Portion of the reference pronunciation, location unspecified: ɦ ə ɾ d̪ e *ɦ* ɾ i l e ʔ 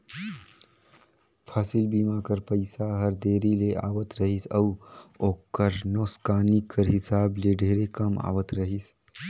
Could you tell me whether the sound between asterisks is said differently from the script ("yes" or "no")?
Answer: yes